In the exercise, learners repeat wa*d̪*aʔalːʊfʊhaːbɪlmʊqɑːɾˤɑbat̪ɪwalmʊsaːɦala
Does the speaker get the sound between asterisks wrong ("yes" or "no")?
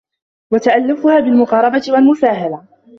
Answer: yes